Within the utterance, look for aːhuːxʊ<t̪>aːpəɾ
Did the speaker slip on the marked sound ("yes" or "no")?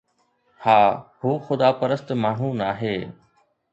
yes